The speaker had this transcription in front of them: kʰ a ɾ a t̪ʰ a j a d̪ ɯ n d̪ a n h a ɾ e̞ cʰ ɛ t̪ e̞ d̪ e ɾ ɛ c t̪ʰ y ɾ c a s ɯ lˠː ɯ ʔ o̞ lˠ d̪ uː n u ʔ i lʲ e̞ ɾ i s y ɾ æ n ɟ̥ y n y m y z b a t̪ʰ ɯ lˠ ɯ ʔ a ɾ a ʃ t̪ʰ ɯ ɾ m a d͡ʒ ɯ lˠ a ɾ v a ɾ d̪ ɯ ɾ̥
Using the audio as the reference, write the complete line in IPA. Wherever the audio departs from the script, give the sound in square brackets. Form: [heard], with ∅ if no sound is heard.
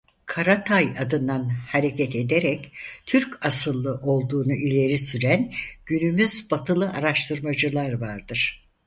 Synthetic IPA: kʰ a ɾ a t̪ʰ a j a d̪ ɯ n d̪ a n h a ɾ e̞ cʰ ɛ t̪ e̞ d̪ e ɾ ɛ c t̪ʰ y ɾ c a s ɯ lˠː ɯ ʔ o̞ lˠ d̪ uː n u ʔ i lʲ e̞ ɾ i s y ɾ æ n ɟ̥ y n y m y z b a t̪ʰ ɯ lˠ ɯ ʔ a ɾ a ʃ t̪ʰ ɯ ɾ m a d͡ʒ ɯ lˠ a ɾ v a ɾ d̪ ɯ ɾ̥

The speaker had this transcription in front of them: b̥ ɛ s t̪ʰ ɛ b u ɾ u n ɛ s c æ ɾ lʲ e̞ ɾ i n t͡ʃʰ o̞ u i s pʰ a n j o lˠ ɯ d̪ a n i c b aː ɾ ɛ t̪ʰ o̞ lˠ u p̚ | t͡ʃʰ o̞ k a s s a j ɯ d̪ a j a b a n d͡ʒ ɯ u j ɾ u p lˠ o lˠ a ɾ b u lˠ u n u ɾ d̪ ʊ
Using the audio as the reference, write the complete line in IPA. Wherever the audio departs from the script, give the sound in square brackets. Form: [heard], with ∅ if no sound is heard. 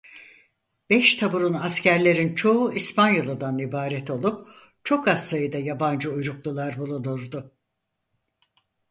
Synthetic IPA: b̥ ɛ [ʃ] t̪ʰ [a] b u ɾ u n [a] s c æ ɾ lʲ e̞ ɾ i n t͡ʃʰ o̞ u i s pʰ a n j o lˠ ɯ d̪ a n i [∅] b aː ɾ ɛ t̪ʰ o̞ lˠ u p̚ | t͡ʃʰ o̞ k a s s a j ɯ d̪ a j a b a n d͡ʒ ɯ u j ɾ u [k] lˠ [u] lˠ a ɾ b u lˠ u n u ɾ d̪ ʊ

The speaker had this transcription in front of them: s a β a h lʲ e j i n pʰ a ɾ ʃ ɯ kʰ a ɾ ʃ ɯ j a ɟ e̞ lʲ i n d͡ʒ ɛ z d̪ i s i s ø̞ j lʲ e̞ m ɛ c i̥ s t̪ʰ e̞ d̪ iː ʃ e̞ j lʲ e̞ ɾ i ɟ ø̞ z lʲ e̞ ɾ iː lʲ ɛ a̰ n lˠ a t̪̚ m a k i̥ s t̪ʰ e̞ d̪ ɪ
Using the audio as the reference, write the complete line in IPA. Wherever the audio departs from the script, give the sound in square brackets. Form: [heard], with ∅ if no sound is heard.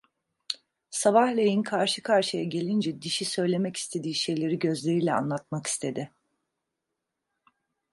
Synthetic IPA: s a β a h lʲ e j i n [kʰ] a ɾ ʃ ɯ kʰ a ɾ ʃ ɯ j a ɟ e̞ lʲ i n d͡ʒ ɛ [∅] d̪ i [ʃ] i s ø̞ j lʲ e̞ m ɛ c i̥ s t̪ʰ e̞ d̪ iː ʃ e̞ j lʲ e̞ ɾ i ɟ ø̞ z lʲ e̞ ɾ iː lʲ ɛ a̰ n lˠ a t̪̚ m a k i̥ s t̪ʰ e̞ d̪ ɪ

